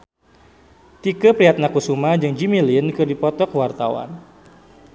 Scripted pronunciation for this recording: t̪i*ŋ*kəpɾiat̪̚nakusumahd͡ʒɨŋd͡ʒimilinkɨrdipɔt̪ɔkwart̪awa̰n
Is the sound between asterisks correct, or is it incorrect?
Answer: incorrect